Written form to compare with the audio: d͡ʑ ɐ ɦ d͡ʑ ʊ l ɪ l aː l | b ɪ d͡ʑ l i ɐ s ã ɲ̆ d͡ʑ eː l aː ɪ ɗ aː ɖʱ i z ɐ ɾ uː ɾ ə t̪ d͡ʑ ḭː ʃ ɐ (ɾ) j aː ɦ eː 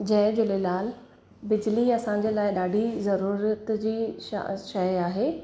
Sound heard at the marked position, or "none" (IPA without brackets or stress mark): none